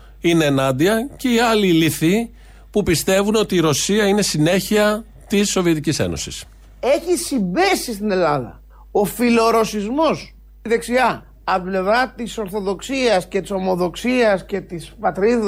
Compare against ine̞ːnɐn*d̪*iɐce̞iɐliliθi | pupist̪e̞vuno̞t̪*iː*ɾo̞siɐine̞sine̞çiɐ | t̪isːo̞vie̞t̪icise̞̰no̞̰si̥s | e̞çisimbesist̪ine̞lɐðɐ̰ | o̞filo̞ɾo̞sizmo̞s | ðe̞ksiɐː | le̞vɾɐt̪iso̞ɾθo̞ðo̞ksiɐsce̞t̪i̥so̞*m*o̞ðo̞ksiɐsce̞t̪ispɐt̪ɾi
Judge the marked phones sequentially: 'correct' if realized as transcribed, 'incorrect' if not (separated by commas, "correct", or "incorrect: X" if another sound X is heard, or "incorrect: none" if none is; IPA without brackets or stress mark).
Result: correct, correct, correct